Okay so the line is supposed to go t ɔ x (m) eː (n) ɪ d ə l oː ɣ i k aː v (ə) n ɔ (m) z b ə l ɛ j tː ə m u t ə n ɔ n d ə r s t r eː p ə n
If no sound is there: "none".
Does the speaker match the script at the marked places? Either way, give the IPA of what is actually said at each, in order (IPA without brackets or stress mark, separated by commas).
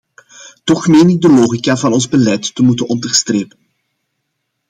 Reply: m, n, ɑ, n